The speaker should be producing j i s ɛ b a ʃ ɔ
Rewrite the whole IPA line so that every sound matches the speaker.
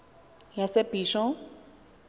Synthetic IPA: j a s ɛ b i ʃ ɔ